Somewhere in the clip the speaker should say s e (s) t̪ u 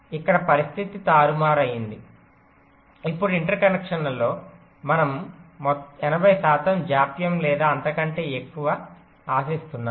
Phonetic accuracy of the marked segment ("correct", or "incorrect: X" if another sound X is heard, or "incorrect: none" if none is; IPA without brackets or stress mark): correct